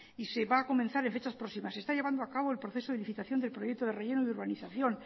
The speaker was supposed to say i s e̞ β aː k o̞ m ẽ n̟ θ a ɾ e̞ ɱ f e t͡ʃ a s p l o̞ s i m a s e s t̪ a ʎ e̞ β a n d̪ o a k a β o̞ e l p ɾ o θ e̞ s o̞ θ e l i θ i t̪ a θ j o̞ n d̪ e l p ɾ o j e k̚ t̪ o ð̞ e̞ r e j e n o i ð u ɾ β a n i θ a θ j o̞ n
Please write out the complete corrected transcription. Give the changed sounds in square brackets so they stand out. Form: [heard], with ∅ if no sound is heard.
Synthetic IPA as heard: i s e̞ β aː k o̞ m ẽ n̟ θ a ɾ e̞ ɱ f e t͡ʃ a s p [ɾ] o̞ s i m a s e s t̪ a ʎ e̞ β a n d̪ o a k a β o̞ e l p ɾ o θ e̞ s o̞ [ð] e l i θ i t̪ a θ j o̞ n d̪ e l p ɾ o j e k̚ t̪ o ð̞ e̞ r e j e n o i ð u ɾ β a n i θ a θ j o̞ n